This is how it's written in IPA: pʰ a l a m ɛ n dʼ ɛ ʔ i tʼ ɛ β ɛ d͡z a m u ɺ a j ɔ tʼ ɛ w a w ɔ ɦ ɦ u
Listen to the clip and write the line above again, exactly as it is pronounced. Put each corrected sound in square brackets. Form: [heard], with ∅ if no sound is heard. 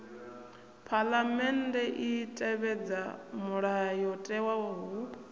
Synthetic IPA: pʰ a l a m ɛ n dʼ ɛ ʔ i tʼ ɛ β ɛ d͡z a m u ɺ a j ɔ tʼ ɛ w a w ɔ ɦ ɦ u